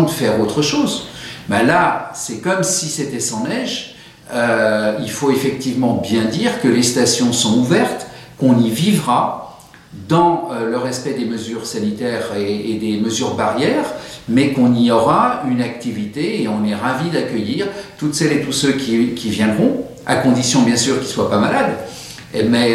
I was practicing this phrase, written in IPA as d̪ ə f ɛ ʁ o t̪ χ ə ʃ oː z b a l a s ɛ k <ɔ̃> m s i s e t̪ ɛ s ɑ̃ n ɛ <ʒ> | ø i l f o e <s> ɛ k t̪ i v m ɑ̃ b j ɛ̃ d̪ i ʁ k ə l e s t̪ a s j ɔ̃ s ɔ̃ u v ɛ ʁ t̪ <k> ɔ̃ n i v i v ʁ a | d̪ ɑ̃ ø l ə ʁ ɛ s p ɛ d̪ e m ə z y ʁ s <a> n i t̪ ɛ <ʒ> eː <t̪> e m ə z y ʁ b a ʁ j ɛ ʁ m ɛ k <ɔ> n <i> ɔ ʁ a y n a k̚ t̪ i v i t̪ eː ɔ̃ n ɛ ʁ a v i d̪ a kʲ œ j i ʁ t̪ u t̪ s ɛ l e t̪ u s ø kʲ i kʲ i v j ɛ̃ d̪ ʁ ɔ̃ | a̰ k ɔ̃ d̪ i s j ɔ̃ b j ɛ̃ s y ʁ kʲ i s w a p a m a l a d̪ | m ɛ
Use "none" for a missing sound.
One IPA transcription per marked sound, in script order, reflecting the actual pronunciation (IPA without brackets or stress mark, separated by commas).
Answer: ɔ, ʒ, f, k, a, ʁ, d̪, ɔ̃, i